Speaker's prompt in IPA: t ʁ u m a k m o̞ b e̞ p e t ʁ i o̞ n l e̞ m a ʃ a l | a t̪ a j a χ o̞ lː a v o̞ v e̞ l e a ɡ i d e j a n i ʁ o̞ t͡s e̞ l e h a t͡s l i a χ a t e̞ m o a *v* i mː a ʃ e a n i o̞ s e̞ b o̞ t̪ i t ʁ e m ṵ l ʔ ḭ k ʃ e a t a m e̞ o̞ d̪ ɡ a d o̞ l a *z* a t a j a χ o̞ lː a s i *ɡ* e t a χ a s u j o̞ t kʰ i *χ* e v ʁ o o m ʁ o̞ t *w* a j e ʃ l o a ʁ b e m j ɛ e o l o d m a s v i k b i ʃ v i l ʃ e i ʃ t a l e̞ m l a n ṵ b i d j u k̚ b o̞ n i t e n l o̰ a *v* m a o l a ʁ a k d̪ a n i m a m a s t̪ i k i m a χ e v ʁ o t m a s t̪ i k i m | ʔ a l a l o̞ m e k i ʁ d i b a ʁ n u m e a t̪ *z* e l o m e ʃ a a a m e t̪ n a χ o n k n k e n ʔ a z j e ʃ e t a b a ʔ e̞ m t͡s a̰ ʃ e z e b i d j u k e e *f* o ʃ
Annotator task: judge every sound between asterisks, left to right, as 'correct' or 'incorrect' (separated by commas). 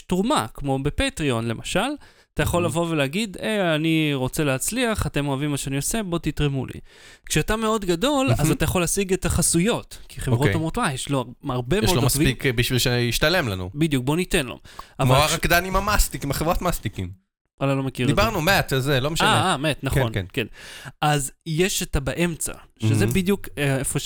correct, correct, correct, correct, correct, correct, correct, correct